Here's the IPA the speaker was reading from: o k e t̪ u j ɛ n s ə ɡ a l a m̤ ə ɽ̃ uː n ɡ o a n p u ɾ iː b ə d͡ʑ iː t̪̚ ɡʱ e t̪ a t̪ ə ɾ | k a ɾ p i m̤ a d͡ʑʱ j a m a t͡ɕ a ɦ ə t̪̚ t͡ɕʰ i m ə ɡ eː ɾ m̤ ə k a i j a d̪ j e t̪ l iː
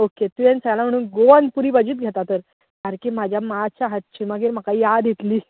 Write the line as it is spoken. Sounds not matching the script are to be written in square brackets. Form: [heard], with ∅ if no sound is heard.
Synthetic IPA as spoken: o k e t̪ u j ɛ n s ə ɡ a l a m̤ ə ɽ̃ uː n ɡ o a n p u ɾ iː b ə d͡ʑ iː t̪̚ ɡʱ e t̪ a t̪ ə ɾ | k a ɾ [k] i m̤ a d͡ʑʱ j a m a t͡ɕ a ɦ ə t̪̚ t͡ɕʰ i m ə ɡ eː ɾ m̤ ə k a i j a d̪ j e t̪ l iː